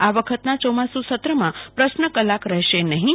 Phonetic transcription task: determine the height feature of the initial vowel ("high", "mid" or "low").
low